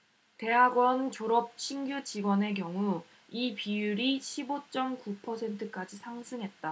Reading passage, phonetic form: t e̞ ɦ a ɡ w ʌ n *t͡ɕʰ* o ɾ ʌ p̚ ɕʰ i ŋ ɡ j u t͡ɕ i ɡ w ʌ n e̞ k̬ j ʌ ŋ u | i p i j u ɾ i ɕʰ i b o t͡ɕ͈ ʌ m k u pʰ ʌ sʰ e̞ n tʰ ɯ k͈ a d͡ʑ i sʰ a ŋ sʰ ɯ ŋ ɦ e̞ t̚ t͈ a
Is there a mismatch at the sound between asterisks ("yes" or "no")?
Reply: yes